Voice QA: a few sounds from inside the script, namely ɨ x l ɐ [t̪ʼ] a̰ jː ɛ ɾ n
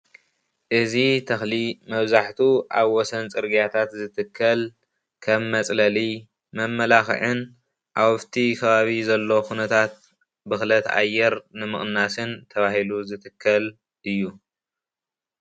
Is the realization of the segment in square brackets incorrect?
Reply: yes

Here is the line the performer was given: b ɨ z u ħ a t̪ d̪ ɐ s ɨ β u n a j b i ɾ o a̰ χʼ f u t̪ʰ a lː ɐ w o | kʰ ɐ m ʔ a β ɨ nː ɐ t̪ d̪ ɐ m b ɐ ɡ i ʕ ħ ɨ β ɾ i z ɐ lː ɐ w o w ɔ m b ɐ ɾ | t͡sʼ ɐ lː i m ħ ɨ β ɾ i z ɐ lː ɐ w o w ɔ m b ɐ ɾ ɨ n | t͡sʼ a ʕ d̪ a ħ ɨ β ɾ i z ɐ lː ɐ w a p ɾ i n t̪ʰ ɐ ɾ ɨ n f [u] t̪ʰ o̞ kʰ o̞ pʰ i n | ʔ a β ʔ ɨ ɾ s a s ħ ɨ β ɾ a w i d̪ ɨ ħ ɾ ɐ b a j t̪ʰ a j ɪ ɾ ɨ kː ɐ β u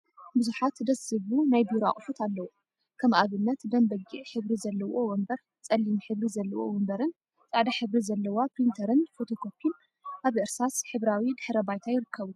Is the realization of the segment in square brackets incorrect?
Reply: yes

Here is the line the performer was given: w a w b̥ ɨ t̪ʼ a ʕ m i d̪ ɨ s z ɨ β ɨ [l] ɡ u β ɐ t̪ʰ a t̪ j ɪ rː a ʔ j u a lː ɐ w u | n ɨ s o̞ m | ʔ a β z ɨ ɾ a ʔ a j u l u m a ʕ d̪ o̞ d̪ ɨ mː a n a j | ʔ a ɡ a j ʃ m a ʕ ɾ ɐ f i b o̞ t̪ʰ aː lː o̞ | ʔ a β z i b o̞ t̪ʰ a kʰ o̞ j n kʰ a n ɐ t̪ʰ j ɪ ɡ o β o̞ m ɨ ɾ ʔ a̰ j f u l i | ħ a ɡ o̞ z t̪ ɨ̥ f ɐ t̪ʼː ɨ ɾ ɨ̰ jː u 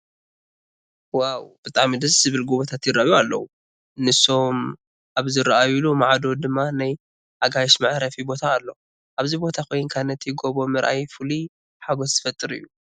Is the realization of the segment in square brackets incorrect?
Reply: no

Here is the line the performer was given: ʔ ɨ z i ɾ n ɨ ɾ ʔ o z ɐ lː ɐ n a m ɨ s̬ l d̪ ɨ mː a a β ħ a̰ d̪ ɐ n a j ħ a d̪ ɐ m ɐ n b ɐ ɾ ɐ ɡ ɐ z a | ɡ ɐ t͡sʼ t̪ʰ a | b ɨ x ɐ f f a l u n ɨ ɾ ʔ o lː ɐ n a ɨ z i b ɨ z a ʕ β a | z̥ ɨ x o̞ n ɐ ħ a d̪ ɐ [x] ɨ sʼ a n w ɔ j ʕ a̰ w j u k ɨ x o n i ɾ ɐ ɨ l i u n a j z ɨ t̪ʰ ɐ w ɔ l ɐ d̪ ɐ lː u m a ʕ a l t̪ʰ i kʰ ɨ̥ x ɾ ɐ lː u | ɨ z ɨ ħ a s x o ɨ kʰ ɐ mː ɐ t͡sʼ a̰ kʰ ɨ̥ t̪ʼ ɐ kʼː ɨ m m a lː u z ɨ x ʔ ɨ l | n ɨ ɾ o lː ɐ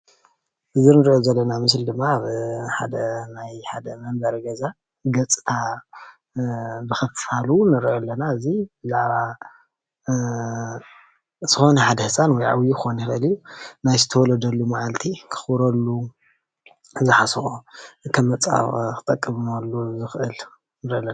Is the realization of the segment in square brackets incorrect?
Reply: yes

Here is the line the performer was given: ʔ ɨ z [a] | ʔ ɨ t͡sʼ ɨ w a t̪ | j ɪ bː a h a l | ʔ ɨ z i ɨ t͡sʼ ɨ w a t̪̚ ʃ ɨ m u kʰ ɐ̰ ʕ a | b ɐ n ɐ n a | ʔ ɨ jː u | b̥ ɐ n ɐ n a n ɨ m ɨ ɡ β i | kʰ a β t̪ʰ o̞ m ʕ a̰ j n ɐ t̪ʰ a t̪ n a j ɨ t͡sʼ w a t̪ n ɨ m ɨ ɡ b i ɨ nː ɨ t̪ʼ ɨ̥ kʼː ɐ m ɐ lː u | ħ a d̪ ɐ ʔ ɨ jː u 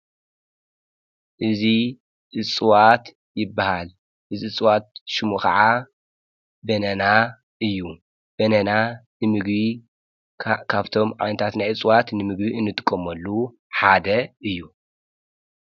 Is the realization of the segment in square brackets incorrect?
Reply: yes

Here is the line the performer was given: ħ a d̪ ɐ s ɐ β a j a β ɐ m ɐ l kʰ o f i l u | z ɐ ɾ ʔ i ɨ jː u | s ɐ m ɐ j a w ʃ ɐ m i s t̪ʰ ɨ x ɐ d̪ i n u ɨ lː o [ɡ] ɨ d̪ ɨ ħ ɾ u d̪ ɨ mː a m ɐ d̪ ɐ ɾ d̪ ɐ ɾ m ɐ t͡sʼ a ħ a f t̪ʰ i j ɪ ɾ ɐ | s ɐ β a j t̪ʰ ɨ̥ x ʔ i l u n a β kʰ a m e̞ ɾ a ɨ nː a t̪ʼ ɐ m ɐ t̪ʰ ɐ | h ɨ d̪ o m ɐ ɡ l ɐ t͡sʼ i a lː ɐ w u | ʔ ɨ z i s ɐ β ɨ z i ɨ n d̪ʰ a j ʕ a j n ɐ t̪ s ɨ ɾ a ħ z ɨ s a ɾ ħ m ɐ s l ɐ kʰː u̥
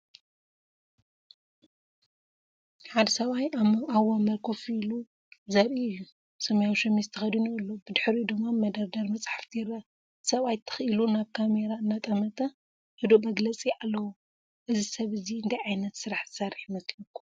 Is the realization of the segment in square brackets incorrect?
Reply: yes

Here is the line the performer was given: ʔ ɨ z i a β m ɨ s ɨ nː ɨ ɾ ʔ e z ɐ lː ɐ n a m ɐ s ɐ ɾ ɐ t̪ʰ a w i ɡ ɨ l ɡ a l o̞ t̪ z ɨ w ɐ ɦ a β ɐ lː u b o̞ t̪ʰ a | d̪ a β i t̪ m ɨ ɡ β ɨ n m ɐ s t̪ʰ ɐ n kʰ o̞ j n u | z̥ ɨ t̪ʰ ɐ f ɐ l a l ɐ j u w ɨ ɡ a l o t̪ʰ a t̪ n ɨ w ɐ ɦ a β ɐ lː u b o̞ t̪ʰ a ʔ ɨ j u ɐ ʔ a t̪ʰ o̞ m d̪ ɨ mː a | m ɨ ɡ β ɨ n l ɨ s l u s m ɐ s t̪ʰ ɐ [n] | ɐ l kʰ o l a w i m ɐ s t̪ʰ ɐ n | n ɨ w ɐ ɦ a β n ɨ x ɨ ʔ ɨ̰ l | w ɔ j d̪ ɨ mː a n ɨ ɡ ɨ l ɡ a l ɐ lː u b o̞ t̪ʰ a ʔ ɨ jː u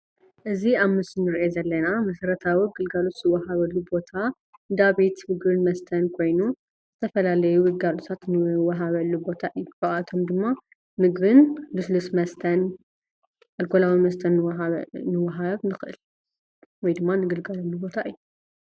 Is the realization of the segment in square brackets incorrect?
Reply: no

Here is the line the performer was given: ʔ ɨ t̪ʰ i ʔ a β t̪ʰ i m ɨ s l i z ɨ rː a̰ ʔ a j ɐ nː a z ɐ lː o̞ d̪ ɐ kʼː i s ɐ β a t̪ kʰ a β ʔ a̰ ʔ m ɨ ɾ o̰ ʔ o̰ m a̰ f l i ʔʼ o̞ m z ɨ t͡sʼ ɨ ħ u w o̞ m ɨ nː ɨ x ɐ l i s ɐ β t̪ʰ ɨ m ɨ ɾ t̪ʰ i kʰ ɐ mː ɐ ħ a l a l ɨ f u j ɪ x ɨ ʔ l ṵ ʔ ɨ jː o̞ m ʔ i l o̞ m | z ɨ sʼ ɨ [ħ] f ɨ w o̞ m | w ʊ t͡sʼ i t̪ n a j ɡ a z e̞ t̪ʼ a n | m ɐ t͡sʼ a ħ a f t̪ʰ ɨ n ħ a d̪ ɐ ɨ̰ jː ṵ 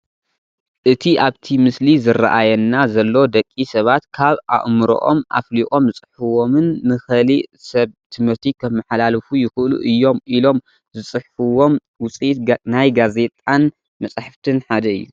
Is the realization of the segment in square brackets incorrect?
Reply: no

